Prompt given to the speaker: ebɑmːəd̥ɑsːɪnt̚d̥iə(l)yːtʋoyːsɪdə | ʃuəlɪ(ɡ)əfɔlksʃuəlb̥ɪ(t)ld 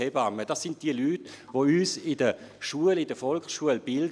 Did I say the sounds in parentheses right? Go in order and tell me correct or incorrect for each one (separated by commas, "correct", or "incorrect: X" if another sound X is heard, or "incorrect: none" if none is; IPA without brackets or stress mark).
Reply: correct, incorrect: d, incorrect: none